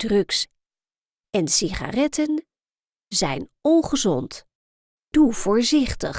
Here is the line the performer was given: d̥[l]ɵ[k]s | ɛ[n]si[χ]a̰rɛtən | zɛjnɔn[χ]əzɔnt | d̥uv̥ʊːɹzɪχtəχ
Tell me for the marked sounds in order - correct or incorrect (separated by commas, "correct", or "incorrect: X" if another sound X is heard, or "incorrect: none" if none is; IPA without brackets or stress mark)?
incorrect: r, correct, correct, correct, correct